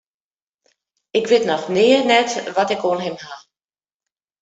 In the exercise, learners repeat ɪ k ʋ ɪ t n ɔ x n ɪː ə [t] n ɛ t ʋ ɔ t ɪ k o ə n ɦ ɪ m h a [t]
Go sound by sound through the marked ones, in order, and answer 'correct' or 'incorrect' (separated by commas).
incorrect, incorrect